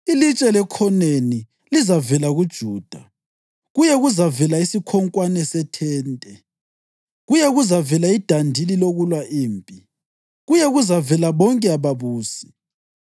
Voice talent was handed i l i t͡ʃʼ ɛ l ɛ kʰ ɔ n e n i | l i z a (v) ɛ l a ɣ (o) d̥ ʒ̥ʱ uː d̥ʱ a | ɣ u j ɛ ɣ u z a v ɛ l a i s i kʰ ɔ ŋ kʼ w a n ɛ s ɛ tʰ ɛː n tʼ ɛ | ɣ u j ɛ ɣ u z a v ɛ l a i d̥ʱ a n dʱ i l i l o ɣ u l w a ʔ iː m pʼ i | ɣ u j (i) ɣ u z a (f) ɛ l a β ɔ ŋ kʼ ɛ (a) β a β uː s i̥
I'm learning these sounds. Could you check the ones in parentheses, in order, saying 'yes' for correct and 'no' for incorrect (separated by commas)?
yes, no, no, no, yes